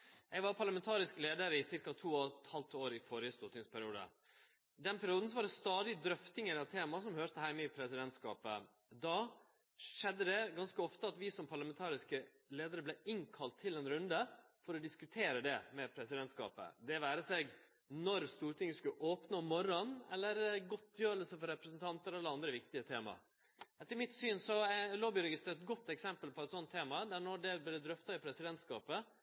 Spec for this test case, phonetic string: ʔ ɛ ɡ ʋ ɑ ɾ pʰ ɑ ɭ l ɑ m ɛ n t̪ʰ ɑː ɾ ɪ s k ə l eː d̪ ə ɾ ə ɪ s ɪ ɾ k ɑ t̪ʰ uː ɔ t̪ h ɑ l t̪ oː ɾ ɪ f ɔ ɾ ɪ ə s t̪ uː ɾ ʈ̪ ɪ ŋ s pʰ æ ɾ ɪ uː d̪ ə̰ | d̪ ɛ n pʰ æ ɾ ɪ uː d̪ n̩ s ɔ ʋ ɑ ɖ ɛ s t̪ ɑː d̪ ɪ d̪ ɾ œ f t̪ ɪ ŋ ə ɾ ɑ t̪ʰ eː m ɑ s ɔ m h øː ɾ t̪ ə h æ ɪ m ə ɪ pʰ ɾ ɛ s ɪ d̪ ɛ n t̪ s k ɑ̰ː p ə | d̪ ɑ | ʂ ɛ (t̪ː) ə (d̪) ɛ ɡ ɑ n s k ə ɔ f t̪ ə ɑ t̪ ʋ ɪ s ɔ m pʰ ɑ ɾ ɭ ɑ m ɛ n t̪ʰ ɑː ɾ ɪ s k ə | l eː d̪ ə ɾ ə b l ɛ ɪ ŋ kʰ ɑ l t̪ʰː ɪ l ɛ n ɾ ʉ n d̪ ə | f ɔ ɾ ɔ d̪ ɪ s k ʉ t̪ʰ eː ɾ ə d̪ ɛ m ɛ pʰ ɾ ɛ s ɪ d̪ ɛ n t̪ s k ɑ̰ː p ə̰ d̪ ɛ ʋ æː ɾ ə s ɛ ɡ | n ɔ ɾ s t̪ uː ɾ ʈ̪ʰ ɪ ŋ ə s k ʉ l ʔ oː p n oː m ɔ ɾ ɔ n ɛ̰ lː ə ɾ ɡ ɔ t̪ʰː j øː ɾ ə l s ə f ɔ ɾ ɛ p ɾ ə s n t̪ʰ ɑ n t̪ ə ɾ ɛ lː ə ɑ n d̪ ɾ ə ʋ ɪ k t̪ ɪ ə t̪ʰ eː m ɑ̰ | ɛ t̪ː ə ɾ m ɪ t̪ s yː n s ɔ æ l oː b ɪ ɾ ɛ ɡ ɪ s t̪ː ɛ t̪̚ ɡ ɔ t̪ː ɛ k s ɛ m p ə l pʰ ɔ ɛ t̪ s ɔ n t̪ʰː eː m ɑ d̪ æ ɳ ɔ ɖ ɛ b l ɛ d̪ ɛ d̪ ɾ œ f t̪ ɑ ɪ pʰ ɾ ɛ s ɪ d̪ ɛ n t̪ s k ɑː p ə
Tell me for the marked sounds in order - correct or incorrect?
incorrect: d̪ː, correct

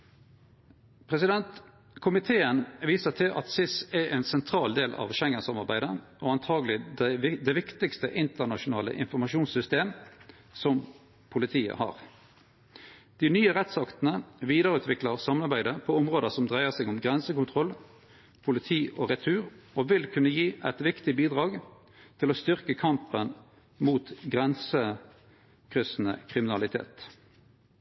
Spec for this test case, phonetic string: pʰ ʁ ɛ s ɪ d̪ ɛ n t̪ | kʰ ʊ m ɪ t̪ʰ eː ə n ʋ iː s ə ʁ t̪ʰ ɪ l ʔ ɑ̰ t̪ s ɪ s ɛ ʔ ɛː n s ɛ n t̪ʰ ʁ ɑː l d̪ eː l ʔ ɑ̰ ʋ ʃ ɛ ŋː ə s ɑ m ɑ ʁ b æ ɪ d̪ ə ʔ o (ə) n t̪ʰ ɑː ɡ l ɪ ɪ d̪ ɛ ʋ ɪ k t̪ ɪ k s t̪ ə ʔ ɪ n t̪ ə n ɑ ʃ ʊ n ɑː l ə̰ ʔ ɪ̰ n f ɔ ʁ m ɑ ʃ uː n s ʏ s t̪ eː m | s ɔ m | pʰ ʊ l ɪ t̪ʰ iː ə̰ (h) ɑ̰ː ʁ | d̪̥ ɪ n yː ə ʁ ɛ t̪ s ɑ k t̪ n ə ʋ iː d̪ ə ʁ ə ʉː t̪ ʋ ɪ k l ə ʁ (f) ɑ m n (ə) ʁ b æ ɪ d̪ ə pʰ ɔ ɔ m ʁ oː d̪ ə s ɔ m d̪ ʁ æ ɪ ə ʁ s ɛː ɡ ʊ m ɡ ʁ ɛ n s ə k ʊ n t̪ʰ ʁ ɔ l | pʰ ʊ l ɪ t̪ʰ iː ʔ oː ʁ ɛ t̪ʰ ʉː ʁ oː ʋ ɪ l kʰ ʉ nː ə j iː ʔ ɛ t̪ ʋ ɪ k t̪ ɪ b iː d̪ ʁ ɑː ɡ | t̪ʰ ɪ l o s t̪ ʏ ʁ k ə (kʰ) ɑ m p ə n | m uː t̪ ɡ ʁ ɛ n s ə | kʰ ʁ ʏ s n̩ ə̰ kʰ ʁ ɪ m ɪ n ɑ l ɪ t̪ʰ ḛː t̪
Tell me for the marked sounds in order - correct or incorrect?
incorrect: ɑ, correct, incorrect: s, incorrect: ɑ, correct

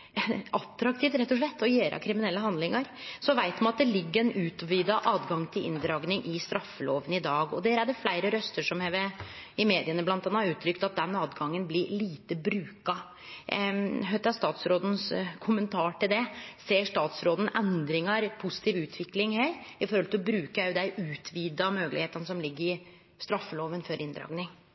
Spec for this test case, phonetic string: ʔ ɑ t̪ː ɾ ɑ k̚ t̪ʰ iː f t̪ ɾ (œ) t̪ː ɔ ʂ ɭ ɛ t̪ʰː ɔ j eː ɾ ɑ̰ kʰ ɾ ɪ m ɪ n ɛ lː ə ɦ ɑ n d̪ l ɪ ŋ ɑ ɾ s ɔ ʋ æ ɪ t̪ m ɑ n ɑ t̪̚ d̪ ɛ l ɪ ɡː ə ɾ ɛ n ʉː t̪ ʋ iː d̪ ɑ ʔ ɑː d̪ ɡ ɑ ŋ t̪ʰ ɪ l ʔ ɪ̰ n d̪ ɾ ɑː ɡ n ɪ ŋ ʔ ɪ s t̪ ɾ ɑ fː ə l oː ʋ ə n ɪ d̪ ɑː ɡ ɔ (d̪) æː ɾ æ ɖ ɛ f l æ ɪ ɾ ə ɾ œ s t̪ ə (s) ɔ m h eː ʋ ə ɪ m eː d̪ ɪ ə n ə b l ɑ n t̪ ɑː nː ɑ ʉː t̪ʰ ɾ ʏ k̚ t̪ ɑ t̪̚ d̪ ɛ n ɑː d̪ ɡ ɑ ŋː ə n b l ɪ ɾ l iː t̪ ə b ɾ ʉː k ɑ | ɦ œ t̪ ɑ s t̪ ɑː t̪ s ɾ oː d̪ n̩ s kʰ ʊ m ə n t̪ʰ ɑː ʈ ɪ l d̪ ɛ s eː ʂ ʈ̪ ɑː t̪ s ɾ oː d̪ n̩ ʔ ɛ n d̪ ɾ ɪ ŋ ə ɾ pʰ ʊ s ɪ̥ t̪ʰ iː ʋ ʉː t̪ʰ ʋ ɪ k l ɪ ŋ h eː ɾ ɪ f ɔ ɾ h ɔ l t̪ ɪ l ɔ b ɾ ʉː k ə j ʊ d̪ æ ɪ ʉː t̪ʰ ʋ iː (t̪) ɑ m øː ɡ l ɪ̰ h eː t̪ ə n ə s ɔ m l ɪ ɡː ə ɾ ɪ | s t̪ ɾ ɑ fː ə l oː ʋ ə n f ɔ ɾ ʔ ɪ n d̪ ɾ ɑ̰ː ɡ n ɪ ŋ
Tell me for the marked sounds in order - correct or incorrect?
incorrect: ɛ, correct, incorrect: ʂ, incorrect: d̪

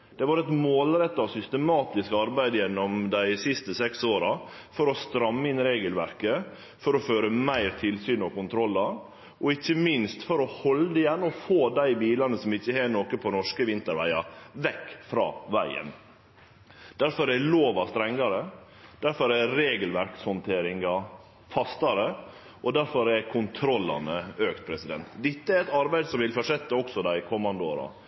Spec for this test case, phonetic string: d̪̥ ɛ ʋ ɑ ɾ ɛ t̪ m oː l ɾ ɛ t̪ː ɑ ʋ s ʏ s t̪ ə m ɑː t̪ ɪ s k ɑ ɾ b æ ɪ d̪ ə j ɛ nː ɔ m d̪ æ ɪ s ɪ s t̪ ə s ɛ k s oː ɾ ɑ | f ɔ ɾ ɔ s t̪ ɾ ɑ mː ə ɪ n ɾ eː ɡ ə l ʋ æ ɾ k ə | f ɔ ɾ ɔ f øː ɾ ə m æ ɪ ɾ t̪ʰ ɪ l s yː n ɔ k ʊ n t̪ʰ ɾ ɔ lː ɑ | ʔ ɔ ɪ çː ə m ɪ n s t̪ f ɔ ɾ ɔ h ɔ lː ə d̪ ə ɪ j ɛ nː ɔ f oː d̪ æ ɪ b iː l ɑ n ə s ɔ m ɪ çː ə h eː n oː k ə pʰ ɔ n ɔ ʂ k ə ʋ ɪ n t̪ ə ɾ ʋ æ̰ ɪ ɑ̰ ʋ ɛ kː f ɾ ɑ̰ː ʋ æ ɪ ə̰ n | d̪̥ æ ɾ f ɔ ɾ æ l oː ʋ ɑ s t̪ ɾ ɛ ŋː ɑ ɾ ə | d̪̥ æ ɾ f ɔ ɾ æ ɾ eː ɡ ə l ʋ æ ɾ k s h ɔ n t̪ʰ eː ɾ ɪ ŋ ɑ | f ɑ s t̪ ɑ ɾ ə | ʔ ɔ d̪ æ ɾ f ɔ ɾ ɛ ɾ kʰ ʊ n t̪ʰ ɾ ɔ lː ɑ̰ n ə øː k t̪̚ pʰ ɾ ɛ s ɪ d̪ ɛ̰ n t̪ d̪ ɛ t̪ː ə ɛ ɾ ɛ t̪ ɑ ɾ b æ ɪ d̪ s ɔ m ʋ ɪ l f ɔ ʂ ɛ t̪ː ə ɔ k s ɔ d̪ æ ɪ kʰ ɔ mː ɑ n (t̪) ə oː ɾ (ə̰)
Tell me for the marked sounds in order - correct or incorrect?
incorrect: d̪, incorrect: ɑ̰

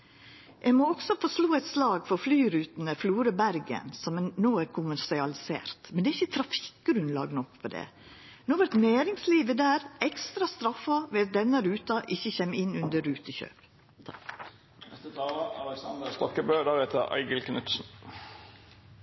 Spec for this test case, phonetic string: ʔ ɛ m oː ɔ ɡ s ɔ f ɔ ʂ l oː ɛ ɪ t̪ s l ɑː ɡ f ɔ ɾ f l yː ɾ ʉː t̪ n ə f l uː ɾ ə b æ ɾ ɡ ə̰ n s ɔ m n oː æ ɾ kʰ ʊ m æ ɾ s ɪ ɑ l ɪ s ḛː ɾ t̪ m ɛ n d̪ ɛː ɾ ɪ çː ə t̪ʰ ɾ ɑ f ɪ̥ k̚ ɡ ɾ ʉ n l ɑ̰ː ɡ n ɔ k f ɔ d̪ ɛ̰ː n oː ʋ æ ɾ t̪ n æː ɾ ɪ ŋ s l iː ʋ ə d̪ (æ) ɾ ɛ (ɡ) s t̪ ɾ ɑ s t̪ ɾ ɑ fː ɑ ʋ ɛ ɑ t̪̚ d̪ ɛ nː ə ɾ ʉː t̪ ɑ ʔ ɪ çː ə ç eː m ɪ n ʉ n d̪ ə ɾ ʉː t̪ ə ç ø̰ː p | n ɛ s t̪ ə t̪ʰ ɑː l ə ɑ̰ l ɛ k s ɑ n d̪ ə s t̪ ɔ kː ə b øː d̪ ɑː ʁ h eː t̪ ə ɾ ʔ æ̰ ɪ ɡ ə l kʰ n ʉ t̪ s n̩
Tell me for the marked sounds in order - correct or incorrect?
incorrect: æː, incorrect: k

